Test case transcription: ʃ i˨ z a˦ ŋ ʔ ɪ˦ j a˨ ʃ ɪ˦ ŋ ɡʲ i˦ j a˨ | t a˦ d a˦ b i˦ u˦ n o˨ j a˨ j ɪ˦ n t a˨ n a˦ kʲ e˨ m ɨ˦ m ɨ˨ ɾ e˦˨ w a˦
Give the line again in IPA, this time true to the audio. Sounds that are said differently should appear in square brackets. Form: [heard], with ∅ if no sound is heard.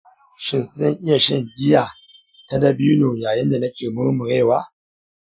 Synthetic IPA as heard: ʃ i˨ z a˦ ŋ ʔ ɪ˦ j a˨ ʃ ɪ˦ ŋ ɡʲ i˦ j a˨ | t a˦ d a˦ b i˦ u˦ n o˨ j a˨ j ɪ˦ n [d] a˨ n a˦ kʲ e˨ m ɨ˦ m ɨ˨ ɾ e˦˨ w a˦